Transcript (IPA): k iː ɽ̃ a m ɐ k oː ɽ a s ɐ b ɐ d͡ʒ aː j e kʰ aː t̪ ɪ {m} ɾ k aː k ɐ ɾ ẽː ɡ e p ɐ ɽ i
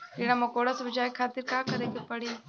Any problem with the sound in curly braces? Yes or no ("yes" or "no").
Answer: yes